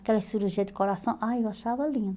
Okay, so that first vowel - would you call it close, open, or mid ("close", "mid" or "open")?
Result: mid